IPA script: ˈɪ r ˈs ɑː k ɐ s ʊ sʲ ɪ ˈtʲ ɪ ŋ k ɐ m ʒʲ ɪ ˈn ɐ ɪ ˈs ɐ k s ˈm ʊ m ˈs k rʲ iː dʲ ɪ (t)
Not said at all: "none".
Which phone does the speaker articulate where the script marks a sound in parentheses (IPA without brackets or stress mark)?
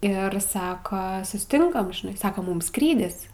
s